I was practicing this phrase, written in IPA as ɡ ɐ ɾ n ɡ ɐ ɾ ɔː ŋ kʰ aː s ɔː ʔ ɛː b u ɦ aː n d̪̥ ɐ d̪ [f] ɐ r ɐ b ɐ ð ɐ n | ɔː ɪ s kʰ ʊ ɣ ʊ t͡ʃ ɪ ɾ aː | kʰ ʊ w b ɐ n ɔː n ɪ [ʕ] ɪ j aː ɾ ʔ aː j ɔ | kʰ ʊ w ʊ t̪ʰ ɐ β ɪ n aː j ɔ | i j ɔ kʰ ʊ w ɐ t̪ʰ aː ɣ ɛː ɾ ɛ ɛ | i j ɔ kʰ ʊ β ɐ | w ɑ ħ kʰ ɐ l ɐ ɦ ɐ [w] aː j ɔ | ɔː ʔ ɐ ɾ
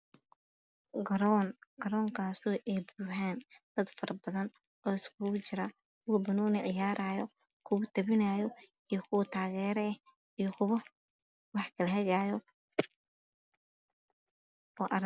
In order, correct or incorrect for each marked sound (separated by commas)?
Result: correct, correct, incorrect